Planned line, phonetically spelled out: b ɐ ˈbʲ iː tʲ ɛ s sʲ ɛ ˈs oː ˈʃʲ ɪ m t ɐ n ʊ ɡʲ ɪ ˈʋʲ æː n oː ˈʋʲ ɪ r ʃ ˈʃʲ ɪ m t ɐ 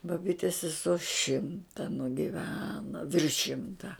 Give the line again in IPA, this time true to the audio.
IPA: b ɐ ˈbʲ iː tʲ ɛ s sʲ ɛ ˈs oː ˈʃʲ ɪ m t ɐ n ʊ ɡʲ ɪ ˈʋʲ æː n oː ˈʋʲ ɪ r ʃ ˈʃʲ ɪ m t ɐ